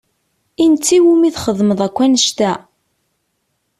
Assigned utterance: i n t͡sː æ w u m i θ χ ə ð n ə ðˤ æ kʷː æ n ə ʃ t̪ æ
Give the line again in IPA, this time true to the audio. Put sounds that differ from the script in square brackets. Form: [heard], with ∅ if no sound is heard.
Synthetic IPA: i n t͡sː [i] w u m i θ χ ə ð [m] ə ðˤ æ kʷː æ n ə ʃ t̪ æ